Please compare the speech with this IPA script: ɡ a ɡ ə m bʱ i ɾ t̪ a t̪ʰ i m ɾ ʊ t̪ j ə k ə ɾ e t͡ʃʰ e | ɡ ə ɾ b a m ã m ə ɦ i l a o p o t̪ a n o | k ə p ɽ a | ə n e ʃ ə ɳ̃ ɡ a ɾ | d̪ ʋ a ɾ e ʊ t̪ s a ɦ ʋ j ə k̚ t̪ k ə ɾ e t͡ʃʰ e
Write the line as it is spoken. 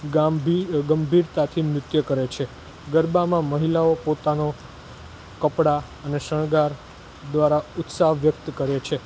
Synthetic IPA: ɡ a ɡ ə m bʱ i ɾ t̪ a t̪ʰ i m ɾ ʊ t̪ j ə k ə ɾ e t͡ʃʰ e | ɡ ə ɾ b a m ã m ə ɦ i l a o p o t̪ a n o | k ə p ɽ a | ə n e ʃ ə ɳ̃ ɡ a ɾ | d̪ ʋ a ɾ a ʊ t̪ s a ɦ ʋ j ə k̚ t̪ k ə ɾ e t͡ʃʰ e